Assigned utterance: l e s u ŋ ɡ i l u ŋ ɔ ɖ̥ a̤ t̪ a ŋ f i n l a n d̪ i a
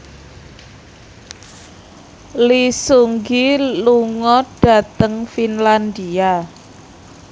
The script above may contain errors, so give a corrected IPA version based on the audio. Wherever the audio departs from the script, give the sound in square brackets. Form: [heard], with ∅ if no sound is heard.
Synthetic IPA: l [i] s u ŋ ɡ i l u ŋ ɔ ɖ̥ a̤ t̪ [ə] ŋ f i n l a n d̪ i a